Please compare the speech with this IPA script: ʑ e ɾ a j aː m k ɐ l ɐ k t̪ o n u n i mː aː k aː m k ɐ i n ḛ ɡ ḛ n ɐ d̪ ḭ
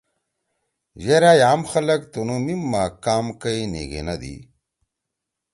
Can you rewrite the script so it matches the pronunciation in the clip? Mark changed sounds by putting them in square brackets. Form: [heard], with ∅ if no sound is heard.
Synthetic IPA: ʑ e ɾ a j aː m [x] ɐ l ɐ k t̪ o n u [m] i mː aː k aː m k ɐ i n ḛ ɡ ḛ n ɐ d̪ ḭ